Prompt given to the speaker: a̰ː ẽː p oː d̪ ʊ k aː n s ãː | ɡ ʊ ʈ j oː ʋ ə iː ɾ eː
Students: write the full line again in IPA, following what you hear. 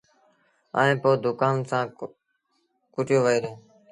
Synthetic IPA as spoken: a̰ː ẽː p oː d̪ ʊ k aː n s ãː | k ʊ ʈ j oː ʋ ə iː ɾ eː